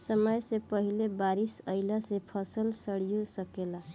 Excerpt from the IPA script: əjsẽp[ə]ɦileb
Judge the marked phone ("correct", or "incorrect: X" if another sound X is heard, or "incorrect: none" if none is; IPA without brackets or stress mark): correct